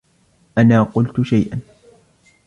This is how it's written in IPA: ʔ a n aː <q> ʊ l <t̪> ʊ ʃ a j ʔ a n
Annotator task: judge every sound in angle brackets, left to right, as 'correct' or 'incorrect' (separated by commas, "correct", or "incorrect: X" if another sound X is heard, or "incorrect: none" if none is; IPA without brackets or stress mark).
correct, correct